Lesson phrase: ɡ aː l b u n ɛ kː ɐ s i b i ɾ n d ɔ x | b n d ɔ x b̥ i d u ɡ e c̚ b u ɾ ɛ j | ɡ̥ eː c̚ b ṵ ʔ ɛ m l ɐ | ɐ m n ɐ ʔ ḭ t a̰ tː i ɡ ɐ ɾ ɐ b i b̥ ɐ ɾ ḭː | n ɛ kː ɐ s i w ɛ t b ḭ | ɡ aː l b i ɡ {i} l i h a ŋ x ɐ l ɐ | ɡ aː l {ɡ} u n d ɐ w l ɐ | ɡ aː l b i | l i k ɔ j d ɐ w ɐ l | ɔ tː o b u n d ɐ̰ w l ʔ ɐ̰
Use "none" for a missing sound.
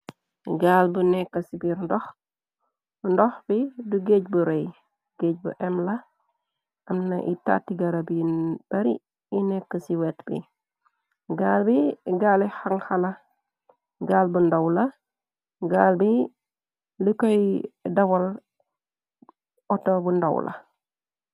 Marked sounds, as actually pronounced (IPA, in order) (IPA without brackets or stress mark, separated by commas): a, b